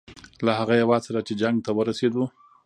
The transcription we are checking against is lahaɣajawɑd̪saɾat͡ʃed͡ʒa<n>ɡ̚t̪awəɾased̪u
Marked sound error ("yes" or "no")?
yes